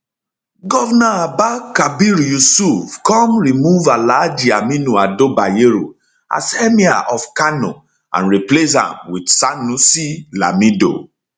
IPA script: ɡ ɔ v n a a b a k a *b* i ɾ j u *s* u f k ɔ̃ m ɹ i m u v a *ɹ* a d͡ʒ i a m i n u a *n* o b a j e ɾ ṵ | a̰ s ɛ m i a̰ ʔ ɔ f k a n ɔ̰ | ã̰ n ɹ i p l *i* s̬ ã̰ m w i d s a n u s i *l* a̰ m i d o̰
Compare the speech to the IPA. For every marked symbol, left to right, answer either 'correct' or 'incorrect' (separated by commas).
correct, correct, incorrect, incorrect, incorrect, correct